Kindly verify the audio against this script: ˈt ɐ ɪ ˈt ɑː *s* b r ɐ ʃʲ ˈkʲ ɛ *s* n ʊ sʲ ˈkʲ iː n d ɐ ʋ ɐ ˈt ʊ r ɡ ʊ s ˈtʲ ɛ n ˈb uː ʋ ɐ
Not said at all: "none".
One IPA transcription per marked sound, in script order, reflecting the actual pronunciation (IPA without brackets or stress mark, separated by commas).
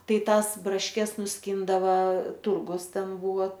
s, s